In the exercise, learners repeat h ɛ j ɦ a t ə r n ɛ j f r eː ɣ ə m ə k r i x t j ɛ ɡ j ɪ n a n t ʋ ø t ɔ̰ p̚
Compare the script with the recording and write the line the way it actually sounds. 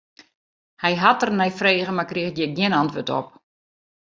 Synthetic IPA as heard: h ɛ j ɦ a t ə r n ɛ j f r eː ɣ ə m a k r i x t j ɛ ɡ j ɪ n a n t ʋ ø t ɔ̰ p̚

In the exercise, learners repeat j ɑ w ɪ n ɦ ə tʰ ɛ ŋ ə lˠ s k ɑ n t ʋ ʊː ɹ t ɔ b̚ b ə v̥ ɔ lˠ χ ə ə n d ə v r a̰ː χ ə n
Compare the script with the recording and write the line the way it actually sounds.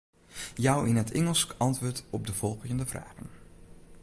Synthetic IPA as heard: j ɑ w ɪ n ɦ ə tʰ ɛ ŋ ə lˠ s k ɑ n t ʋ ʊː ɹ t ɔ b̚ d ə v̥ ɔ lˠ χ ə ə n d ə v r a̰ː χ ə n

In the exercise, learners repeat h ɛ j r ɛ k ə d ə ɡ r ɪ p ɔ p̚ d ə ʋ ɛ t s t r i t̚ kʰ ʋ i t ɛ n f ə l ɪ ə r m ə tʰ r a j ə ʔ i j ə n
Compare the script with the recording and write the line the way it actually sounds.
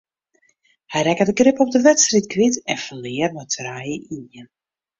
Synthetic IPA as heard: h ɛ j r ɛ k ə d ə ɡ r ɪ p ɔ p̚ d ə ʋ ɛ t s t r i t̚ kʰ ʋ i t ɛ n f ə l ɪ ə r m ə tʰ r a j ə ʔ i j ə n

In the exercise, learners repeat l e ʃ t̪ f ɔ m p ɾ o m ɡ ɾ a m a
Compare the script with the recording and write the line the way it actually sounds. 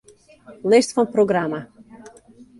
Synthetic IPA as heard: l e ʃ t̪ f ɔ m p ɾ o ɡ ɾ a m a

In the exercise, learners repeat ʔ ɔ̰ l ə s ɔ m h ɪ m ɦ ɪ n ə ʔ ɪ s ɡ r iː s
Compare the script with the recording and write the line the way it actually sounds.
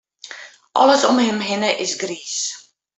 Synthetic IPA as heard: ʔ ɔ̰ l ə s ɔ m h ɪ m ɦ ɪ n ə ʔ ɪ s ɡ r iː s

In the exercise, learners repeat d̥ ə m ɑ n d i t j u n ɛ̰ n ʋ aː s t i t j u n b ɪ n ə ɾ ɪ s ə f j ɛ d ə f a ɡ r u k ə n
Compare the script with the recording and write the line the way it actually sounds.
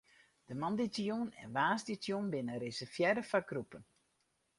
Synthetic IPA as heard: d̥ ə m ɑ n d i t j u n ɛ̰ n ʋ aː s d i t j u n b ɪ n ə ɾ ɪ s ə f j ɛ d ə f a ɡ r u p ə n

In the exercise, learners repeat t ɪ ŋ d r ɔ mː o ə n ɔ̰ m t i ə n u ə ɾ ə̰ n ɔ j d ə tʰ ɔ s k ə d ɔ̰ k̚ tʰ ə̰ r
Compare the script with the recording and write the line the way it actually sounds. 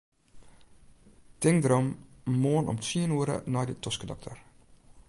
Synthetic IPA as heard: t ɪ ŋ d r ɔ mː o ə n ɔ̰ m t i ə n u ə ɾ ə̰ n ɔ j d ə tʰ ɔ s k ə d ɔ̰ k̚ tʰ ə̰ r

